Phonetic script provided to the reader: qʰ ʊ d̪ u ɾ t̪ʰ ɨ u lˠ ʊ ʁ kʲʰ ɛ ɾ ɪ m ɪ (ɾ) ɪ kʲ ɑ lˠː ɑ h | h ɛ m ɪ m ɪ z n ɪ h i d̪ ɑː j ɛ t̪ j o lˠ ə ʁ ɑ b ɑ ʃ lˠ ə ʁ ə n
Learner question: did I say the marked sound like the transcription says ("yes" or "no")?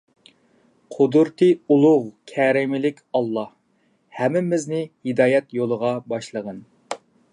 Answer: no